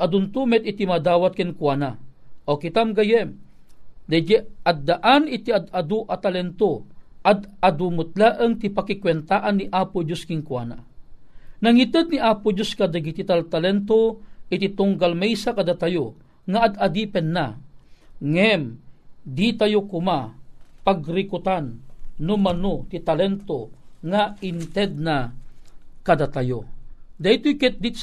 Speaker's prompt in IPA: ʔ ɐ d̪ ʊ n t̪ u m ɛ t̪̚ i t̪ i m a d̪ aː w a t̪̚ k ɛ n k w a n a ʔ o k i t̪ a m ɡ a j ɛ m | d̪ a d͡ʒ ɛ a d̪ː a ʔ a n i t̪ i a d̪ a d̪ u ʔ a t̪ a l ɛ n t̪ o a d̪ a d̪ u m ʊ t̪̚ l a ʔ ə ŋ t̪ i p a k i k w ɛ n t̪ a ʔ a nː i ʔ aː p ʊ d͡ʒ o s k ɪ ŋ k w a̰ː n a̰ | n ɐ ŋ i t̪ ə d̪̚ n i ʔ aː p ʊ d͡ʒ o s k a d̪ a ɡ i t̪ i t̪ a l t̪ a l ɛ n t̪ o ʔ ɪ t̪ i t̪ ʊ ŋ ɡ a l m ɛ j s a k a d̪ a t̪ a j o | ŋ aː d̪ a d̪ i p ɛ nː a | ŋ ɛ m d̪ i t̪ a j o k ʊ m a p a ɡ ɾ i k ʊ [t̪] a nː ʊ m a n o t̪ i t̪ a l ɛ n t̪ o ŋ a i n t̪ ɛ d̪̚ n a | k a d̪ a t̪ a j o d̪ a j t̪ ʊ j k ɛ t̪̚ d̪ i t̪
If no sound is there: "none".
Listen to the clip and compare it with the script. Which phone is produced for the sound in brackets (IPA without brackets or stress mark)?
t̪